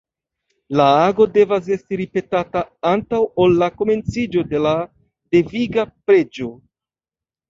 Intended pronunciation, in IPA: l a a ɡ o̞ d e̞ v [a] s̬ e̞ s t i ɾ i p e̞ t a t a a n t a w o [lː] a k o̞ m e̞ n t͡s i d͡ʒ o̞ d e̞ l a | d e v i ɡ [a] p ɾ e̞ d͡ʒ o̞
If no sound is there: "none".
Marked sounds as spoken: a, lː, a

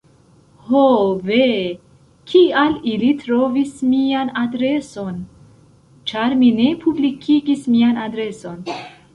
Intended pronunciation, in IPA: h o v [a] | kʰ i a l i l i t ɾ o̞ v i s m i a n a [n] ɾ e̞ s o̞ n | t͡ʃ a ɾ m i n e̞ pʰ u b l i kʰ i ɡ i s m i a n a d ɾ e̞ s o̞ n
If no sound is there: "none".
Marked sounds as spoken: e, d

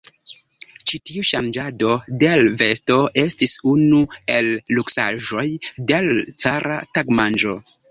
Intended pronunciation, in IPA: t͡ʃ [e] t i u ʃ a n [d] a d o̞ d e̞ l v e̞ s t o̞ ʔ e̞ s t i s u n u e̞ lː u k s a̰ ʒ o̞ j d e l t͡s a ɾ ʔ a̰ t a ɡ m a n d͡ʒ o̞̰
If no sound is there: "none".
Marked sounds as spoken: i, d͡ʒ

